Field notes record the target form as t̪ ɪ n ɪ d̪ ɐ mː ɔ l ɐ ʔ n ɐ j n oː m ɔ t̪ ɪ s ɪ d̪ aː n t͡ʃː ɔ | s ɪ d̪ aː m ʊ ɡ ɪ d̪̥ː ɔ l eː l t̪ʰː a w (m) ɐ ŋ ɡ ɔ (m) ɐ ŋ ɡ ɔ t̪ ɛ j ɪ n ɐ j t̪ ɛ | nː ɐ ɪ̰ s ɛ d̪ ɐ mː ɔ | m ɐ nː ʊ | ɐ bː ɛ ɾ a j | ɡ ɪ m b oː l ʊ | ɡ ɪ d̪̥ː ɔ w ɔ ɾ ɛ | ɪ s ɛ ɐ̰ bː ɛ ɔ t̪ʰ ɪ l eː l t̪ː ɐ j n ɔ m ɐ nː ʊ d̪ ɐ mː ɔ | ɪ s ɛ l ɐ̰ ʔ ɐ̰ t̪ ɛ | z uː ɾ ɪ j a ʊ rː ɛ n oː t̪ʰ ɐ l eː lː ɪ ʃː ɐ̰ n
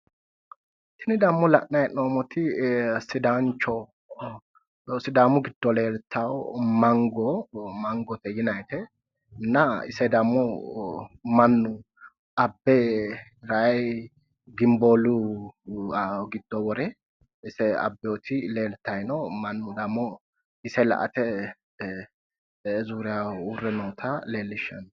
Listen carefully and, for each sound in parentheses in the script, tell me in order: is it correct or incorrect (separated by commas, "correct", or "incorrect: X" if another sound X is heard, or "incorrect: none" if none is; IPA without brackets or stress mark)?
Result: correct, correct